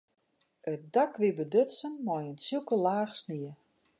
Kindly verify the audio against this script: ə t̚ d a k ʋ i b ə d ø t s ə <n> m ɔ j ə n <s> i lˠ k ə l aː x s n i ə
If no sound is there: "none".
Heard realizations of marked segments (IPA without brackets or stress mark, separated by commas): n, s